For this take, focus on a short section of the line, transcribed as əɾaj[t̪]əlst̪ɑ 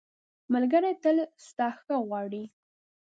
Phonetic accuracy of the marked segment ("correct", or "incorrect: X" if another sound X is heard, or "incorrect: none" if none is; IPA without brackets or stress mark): correct